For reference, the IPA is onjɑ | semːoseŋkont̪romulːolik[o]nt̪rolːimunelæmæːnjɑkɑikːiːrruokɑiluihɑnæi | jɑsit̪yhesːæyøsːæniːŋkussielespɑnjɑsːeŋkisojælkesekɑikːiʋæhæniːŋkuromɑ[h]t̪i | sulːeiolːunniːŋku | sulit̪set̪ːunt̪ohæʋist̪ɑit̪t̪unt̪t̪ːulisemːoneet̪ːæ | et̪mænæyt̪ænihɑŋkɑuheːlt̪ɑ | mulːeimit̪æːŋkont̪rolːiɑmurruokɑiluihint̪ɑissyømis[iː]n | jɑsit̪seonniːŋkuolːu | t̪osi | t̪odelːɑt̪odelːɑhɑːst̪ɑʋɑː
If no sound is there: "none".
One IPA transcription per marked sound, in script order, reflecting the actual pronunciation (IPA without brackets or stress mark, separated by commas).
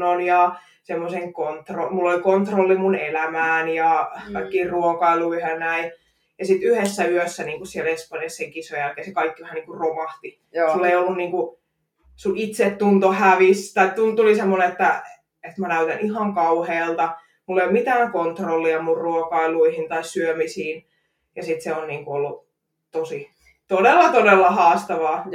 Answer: o, h, iː